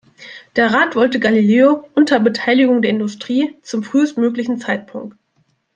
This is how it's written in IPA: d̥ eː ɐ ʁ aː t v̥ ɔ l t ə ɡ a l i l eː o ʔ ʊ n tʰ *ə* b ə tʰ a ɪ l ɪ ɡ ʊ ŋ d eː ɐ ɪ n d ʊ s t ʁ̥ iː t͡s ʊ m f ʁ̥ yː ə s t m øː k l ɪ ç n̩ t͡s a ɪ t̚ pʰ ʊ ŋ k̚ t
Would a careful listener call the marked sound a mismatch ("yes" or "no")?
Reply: yes